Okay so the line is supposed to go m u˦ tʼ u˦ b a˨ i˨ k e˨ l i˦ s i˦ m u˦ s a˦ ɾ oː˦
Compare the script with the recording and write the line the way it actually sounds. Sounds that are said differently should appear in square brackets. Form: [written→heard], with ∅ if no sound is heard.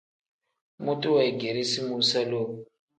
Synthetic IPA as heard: m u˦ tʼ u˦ [b→w] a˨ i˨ [k→ɡ] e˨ [l→ɾ] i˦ s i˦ m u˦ s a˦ [ɾ→l] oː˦